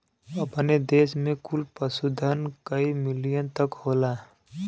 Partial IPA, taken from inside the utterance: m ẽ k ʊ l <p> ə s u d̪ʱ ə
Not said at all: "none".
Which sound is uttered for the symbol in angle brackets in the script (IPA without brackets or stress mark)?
p